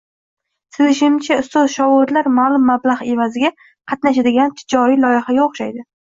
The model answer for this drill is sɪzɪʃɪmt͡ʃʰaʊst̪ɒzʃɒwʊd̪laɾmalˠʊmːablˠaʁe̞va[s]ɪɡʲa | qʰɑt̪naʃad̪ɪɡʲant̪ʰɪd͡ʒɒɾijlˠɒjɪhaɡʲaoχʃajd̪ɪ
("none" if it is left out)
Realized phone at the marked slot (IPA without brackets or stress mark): z